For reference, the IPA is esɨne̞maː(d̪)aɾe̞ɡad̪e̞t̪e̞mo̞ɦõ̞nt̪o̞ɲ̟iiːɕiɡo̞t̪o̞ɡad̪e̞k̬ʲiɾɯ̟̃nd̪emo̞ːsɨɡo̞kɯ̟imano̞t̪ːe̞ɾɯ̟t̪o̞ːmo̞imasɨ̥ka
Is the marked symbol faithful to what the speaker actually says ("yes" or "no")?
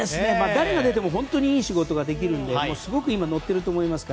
yes